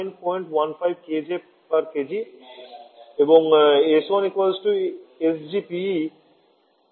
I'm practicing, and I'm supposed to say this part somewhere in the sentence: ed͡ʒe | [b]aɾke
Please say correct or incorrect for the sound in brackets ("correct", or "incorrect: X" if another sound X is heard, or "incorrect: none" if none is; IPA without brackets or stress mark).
incorrect: p